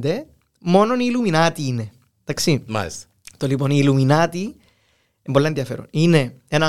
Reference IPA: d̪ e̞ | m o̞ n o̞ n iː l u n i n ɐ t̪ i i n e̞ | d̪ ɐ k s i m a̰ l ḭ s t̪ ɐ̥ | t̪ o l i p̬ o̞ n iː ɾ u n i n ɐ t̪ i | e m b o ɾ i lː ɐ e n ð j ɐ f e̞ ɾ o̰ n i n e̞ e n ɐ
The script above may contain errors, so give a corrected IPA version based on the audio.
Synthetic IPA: d̪ e̞ | m o̞ n o̞ n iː l u m i n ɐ t̪ i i n e̞ | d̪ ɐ k s i m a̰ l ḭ s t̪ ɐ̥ | t̪ o l i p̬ o̞ n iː l u m i n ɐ t̪ i | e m b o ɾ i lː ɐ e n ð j ɐ f e̞ ɾ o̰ n i n e̞ e n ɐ